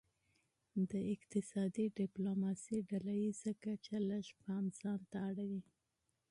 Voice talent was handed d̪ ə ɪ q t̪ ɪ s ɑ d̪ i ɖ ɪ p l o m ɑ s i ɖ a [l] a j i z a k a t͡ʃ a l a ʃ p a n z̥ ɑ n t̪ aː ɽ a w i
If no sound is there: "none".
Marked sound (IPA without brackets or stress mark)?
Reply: l